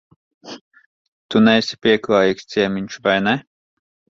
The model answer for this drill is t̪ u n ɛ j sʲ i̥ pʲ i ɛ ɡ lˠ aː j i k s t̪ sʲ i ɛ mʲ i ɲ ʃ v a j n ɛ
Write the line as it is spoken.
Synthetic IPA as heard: t̪ u n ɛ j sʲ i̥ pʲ i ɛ k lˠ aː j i k s t̪ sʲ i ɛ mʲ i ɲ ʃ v a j n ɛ